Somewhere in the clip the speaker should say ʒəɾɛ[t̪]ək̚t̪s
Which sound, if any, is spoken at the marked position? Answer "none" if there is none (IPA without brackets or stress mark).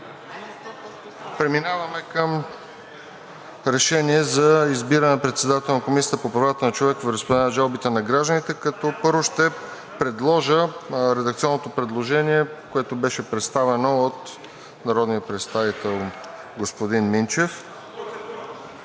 d̪